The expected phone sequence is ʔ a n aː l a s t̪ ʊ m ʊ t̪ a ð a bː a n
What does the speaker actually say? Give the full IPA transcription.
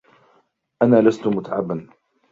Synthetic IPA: ʔ a n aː l a s t̪ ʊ m ʊ t̪ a ʕ a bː a n

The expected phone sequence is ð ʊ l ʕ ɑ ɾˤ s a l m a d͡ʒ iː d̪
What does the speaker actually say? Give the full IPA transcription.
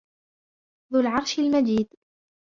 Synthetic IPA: ð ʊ l ʕ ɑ ɾˤ ʃ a l m a d͡ʒ iː d̪

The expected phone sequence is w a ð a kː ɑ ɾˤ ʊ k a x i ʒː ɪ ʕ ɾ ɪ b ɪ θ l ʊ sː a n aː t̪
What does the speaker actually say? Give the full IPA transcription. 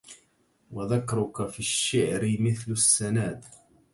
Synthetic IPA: w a ð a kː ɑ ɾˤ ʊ k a f i ʃː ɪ ʕ ɾ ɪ m ɪ θ l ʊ sː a n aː d̪

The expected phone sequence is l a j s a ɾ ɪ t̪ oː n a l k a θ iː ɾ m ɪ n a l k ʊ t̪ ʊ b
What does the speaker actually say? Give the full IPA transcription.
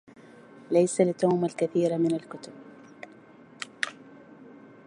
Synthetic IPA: l a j s a l ɪ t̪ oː m a l k a θ iː ɾ m ɪ n a l k ʊ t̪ ʊ b

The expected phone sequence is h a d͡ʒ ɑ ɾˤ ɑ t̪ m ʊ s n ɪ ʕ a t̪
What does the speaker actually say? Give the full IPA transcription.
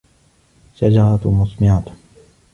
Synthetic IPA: ʃ a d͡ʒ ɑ ɾˤ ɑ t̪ m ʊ s m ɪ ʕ a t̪

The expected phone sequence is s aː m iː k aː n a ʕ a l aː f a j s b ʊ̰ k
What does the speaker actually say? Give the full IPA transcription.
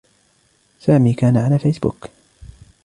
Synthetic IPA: s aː m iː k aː n a ʕ a l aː f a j s b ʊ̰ k

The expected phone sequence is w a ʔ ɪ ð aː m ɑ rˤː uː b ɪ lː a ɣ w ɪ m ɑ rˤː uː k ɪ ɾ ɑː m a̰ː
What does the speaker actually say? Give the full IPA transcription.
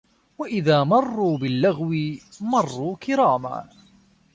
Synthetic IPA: w a ʔ ɪ ð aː m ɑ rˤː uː b ɪ lː a ɣ w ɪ m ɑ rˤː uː k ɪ ɾ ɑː m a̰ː

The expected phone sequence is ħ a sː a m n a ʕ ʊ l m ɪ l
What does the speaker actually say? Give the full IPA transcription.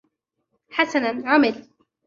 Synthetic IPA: ħ a s a n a ʕ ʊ m ɪ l

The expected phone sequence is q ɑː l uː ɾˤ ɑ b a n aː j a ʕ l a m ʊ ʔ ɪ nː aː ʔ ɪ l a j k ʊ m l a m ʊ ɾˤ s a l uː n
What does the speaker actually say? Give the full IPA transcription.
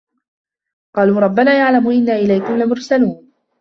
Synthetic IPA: q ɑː l uː ɾˤ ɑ bː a n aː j a ʕ l a m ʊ ʔ ɪ nː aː ʔ ɪ l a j k ʊ m l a m ʊ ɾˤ s a l uː n

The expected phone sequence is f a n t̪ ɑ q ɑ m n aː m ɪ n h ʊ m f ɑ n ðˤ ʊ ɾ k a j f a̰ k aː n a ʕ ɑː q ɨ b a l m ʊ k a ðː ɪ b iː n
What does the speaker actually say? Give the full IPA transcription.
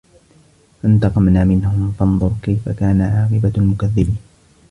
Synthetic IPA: f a n t̪ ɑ q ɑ m n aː m ɪ n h ʊ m f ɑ n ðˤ ʊ ɾ k a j f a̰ k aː n a ʕ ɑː q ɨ b a l m ʊ k a ðː ɪ b iː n

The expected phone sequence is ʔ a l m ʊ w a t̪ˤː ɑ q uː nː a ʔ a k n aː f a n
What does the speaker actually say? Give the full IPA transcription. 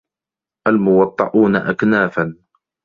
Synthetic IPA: ʔ a l m ʊ w ɑ t̪ˤː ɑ ʔ uː n a ʔ a k n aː f a n

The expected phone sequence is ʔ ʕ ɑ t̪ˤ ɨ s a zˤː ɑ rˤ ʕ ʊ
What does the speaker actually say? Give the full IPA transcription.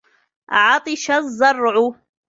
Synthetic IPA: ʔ ʕ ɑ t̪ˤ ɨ ʃ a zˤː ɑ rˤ ʕ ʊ

